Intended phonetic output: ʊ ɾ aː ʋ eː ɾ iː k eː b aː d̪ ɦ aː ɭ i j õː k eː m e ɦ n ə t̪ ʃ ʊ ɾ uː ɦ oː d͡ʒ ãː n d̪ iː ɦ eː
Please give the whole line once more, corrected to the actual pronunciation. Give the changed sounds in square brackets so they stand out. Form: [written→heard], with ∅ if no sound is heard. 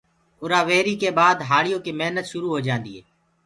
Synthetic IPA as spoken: ʊ ɾ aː ʋ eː ɾ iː k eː b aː d̪ ɦ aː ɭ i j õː k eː m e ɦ n ə t̪ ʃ ʊ ɾ uː ɦ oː d͡ʒ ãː n d̪ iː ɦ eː